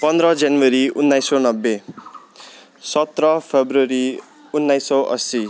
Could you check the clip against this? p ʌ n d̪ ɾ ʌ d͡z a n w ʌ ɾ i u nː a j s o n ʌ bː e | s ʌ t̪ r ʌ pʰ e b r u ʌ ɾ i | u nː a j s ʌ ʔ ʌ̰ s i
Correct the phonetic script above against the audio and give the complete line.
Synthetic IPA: p ʌ n d̪ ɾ ʌ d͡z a n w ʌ ɾ i u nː a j s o n ʌ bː e | s ʌ t̪ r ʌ pʰ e b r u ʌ ɾ i | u nː a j s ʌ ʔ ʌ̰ s i